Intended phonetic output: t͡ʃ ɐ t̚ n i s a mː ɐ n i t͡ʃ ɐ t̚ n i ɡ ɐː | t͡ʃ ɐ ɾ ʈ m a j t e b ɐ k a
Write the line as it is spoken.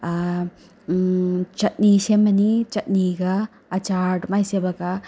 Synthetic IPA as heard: t͡ʃ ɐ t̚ n i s e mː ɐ n i t͡ʃ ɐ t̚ n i ɡ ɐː | t͡ʃ a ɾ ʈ m a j s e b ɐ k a

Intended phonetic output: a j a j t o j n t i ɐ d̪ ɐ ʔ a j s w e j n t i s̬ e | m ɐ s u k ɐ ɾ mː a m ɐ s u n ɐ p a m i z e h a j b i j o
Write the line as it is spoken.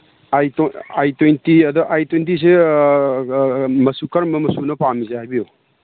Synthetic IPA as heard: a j a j t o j n t i ɐ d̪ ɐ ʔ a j t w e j n t i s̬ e | m ɐ s u k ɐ ɾ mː ɐ m ɐ s u n ɐ p a m i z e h a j b i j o

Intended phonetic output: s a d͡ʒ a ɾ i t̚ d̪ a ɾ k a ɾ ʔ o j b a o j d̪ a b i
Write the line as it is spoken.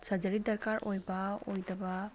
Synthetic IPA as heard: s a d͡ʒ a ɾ i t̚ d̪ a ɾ k a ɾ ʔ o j b a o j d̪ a b a

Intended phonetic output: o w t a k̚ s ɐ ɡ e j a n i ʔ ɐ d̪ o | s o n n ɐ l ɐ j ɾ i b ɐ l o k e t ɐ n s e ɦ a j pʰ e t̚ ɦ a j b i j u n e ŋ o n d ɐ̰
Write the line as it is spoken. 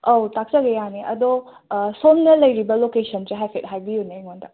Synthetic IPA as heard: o w t a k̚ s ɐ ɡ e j a n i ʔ ɐ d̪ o | s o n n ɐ l ɐ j ɾ i b ɐ l o k e s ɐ n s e ɦ a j pʰ e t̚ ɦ a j b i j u n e ŋ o n d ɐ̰

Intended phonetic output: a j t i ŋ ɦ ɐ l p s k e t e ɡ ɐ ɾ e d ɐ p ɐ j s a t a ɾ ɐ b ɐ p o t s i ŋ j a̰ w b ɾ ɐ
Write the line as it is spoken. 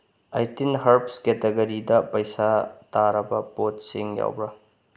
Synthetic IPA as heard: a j t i n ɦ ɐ ɾ p s k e t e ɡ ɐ ɾ i d ɐ p ɐ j s a t a ɾ ɐ b ɐ p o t s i ŋ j a̰ w b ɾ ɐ

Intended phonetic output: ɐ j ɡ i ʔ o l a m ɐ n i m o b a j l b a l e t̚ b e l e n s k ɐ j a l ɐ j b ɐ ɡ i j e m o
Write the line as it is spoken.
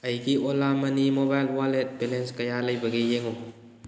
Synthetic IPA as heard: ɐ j ɡ i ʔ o l a m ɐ n i m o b a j l w a l e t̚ b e l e n s k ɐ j a l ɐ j b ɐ ɡ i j e ŋ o

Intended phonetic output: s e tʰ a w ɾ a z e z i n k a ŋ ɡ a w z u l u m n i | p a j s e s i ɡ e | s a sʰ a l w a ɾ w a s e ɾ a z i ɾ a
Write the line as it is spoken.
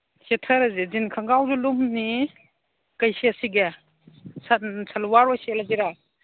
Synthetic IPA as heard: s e tʰ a ɾ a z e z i n kʰ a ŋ ɡ a w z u l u m n i | k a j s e s i ɡ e | s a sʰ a l w a ɾ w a s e l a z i ɾ a

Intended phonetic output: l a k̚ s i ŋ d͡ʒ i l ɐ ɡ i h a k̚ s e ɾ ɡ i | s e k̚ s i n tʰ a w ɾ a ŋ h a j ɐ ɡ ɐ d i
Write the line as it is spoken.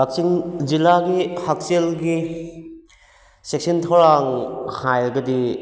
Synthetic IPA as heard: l a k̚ s i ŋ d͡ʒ i l a ɡ i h a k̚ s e l ɡ i | s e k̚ s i n tʰ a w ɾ a ŋ h a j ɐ ɡ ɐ d i

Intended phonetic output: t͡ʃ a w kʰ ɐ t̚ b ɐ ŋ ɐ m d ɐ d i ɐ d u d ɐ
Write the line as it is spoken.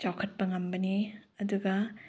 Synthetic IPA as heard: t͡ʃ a w kʰ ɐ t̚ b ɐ ŋ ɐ m b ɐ n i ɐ d u ɡ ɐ

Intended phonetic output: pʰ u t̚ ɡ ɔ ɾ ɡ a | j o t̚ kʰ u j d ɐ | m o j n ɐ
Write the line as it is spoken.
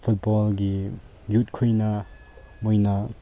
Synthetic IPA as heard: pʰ u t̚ b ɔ l ɡ i | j u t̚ kʰ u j n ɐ | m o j n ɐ

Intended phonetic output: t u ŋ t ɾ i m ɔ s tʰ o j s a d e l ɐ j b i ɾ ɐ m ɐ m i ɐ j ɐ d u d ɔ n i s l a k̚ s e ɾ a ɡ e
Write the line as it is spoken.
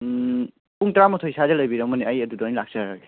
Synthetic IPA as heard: p u ŋ t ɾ a m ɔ tʰ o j s a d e l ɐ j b i ɾ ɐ m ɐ n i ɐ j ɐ d u d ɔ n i l a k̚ s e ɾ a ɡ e

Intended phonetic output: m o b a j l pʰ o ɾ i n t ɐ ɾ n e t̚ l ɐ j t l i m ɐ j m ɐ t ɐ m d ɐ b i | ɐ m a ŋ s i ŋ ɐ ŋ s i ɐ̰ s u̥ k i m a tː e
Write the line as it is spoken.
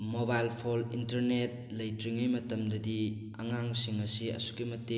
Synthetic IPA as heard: m o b a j l pʰ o l i n t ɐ ɾ n e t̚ l ɐ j t ɾ i ŋ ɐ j m ɐ t ɐ m d ɐ d i | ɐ ŋ a ŋ s i ŋ ɐ s i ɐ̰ s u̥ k i m ɐ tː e

